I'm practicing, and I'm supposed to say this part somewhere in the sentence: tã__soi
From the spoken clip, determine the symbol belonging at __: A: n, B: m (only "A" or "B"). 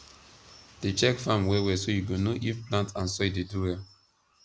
A